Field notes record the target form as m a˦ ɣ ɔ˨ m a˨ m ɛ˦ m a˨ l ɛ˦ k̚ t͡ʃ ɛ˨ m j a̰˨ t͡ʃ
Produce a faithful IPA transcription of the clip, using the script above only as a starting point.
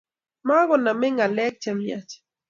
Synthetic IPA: m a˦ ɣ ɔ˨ n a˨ m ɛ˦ ŋ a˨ l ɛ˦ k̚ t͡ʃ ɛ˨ m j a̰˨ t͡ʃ

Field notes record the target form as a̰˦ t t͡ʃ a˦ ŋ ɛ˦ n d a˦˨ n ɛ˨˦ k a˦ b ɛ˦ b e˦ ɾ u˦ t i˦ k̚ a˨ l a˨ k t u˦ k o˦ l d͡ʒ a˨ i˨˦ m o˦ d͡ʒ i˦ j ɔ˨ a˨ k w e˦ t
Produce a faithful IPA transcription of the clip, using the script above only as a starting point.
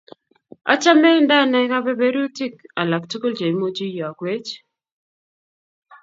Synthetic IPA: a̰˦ t͡ʃ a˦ m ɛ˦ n d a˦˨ n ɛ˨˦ k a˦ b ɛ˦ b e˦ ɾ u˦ t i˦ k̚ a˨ l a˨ k t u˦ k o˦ l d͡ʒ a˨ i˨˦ m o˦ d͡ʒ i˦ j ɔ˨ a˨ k w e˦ t͡ʃ

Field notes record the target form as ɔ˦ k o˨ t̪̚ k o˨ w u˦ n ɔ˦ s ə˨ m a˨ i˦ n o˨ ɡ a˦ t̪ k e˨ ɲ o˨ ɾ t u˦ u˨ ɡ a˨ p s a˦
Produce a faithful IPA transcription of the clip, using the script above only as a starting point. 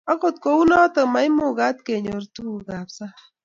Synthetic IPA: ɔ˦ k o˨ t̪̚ k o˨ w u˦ n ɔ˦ t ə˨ m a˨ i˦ m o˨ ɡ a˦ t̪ k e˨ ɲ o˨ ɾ t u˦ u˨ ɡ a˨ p s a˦

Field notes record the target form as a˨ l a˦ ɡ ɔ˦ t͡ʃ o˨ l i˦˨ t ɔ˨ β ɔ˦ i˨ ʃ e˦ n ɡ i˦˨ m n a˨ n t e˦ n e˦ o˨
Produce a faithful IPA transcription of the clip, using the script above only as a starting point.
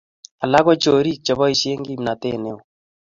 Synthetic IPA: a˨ l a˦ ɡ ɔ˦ t͡ʃ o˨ ɾ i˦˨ t͡ʃ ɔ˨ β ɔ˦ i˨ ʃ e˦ ŋ ɡ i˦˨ m n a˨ t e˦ n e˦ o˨

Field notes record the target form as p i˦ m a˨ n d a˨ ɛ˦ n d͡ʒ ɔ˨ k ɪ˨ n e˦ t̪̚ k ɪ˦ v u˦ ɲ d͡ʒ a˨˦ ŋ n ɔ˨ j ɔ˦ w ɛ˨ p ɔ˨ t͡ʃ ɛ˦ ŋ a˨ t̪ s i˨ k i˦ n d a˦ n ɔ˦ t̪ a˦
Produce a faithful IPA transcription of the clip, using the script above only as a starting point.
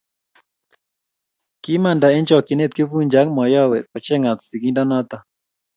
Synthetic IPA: k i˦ m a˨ n d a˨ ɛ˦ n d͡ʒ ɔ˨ k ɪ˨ n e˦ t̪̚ k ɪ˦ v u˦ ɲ d͡ʒ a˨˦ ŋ m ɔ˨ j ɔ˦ w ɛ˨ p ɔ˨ t͡ʃ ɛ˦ ŋ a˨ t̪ s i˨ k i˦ n d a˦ n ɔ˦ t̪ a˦

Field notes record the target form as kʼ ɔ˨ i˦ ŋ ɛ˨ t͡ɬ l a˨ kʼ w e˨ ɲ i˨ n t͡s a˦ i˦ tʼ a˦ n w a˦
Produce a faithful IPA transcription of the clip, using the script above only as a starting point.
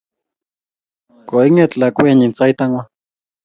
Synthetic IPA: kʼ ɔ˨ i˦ ŋ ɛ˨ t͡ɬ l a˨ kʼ w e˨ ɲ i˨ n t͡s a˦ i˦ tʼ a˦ ŋ w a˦

